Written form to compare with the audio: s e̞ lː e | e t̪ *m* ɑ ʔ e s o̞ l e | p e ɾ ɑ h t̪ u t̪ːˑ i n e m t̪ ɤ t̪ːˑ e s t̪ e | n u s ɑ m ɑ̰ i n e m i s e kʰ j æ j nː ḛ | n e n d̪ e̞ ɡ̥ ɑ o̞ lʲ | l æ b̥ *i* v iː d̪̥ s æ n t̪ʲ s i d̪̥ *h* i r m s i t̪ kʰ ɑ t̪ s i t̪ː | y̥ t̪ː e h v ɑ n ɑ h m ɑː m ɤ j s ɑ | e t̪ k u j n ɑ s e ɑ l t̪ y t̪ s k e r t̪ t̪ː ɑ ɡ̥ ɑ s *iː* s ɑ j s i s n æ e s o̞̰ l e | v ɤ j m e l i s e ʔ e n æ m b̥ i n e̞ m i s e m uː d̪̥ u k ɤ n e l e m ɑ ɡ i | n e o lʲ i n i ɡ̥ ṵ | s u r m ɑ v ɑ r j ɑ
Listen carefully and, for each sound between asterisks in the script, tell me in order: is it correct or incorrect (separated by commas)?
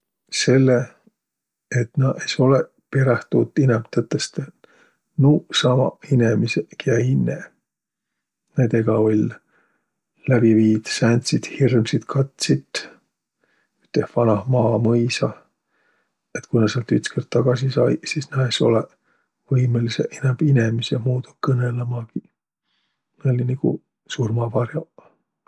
incorrect, correct, correct, incorrect